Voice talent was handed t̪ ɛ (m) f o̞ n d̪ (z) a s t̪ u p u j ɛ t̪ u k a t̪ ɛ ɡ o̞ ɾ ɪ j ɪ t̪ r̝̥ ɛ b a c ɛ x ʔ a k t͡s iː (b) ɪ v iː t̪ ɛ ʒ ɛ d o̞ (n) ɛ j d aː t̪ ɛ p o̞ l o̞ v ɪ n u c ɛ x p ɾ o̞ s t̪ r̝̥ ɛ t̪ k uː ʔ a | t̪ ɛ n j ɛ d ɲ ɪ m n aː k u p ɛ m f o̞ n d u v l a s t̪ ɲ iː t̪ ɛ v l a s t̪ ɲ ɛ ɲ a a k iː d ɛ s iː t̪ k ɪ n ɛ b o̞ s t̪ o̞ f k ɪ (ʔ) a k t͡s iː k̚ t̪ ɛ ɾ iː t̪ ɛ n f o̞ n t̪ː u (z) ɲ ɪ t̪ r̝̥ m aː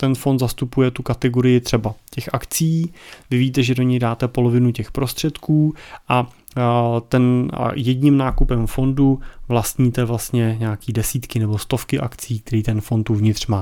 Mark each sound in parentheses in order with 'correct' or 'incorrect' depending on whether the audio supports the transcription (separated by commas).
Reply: incorrect, correct, incorrect, incorrect, correct, incorrect